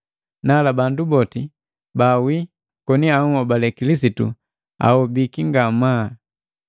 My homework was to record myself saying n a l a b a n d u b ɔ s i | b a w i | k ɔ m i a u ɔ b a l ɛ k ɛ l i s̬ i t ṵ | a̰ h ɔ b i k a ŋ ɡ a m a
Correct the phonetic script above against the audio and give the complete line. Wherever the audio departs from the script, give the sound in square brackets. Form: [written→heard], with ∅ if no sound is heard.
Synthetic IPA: n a l a b a n d u b ɔ [s→t] i | b a w i | k ɔ [m→n] i a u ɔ b a l ɛ k [ɛ→i] l i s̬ i t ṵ | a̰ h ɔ b i k [a→i] ŋ ɡ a m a